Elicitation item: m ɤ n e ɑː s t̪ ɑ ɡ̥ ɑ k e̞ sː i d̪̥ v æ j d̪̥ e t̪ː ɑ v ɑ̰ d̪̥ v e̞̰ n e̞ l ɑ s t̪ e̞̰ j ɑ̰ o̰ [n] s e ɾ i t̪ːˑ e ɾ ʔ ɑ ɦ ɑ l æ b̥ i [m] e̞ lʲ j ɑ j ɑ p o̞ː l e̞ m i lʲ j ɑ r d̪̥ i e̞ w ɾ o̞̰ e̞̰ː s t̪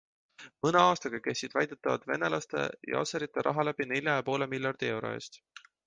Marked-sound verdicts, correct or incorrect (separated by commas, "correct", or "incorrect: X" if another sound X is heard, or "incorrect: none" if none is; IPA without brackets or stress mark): incorrect: none, incorrect: n